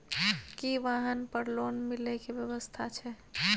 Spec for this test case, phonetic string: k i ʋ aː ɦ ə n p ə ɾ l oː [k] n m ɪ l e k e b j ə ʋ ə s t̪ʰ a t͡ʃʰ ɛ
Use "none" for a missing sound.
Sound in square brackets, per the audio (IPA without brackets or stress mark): none